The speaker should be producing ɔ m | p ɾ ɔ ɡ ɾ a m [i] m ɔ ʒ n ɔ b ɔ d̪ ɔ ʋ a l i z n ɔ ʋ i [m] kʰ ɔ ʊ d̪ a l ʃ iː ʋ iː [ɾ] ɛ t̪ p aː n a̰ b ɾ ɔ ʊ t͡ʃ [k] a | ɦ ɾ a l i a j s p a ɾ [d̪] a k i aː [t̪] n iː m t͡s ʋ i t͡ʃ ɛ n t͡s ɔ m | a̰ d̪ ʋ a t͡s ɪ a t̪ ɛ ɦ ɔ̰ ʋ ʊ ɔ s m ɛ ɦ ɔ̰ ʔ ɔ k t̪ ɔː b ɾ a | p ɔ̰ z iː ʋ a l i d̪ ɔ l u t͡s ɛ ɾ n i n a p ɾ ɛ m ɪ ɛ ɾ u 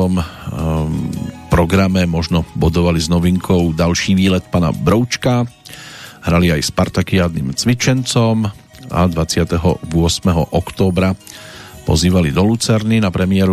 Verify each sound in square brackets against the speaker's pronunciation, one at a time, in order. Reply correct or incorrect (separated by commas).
incorrect, incorrect, incorrect, correct, incorrect, incorrect